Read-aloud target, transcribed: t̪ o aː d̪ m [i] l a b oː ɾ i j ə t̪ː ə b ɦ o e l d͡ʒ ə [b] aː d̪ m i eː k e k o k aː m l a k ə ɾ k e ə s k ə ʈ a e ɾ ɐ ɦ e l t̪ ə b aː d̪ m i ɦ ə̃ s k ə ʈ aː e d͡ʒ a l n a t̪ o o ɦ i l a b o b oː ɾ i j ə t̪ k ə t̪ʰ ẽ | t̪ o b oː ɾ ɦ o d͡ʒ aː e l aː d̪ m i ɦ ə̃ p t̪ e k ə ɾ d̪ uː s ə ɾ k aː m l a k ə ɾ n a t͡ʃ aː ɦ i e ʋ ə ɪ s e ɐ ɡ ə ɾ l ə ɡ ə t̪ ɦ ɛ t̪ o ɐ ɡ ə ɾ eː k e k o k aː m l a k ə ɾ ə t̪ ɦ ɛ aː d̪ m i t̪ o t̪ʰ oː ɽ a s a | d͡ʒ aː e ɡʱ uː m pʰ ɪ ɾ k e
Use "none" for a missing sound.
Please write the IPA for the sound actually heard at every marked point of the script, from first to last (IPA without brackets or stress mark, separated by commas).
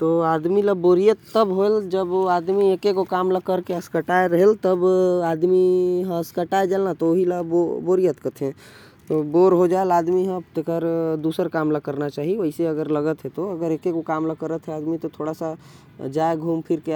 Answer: i, b